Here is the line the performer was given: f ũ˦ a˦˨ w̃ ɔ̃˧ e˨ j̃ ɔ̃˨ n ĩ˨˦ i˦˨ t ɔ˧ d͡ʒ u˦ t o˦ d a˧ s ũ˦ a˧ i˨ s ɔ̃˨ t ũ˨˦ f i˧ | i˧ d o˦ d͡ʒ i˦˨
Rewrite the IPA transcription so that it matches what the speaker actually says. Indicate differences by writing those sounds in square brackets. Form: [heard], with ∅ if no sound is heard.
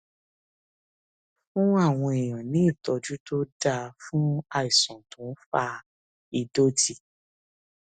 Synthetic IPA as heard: f ũ˦ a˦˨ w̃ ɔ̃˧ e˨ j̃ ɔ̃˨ n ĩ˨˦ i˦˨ t ɔ˧ d͡ʒ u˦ t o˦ d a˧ [f] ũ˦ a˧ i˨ s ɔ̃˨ t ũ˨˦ f [a˧] | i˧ d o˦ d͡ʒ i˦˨